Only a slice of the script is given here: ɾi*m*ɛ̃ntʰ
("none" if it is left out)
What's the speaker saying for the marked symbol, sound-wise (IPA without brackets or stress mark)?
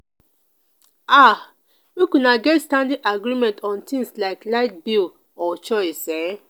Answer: m